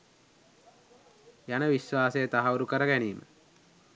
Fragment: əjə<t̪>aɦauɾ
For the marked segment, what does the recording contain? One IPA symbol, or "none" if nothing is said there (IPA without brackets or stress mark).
t̪